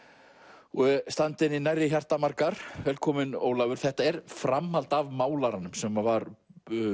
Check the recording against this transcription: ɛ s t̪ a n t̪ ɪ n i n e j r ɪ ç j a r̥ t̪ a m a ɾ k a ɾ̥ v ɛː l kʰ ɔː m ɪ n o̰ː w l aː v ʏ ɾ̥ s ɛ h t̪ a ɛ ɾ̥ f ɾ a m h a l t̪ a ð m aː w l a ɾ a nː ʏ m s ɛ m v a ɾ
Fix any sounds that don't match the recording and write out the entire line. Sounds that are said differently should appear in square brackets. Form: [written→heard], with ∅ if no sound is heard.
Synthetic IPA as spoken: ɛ s t̪ a n t̪ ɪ n i n [e→a] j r ɪ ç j a r̥ t̪ a m a ɾ k a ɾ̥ v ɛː l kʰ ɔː m ɪ n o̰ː w l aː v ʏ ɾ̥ [s→θ] ɛ h t̪ a ɛ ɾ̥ f ɾ a m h a l t̪ a [ð→v] m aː w l a ɾ a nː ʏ m s ɛ m v a ɾ